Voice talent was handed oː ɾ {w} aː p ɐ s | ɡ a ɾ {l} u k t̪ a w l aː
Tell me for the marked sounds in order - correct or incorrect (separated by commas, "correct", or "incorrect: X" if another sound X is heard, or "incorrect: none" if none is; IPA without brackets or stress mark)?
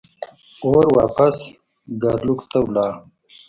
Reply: correct, correct